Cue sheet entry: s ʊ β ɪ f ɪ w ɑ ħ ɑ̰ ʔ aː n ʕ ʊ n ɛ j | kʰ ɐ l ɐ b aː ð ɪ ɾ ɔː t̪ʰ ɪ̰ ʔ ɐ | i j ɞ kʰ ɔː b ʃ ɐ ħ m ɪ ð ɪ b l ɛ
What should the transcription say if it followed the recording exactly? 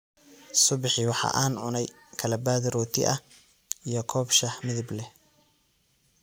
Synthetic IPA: s ʊ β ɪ ħ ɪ w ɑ ħ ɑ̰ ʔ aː n ʕ ʊ n ɛ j | kʰ ɐ l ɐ b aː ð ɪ ɾ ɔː t̪ʰ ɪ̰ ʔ ɐ | i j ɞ kʰ ɔː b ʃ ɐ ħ m ɪ ð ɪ b l ɛ